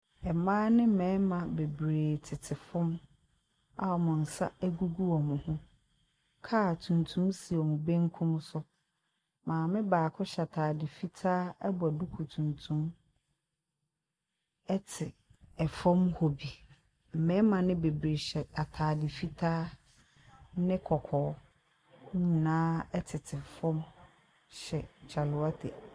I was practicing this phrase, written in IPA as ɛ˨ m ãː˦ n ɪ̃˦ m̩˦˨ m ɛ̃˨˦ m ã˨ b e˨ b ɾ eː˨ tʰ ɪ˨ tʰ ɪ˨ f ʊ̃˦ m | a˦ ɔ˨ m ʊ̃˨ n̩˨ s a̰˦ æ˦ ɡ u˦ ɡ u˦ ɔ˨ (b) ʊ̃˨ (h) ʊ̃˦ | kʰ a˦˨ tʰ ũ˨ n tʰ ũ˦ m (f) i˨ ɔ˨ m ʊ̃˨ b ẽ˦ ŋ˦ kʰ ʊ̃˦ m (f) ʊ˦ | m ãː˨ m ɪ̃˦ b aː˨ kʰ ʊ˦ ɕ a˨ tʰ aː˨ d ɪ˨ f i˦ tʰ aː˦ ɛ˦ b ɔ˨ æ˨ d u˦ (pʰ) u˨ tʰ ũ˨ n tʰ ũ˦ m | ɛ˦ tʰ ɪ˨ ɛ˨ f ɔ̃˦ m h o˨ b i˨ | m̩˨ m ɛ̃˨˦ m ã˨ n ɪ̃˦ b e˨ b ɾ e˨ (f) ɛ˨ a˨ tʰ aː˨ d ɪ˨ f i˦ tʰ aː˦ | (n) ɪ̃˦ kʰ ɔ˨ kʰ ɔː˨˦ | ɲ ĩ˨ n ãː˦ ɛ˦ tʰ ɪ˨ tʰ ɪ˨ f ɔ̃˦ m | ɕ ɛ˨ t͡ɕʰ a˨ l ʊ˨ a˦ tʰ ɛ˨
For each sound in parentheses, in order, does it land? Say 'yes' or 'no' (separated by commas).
no, yes, no, no, no, no, yes